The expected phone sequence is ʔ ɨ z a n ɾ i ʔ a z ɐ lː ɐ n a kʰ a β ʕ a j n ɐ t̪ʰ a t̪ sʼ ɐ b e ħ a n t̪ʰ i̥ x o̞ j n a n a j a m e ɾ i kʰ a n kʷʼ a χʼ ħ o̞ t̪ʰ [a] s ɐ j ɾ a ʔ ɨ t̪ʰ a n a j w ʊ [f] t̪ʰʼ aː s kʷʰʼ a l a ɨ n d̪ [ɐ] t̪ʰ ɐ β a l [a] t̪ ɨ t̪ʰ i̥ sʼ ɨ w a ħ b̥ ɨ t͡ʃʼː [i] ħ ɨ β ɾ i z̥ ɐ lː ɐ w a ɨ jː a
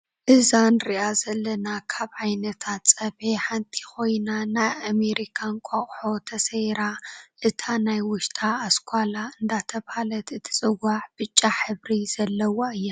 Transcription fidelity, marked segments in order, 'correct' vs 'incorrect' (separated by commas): incorrect, incorrect, incorrect, incorrect, incorrect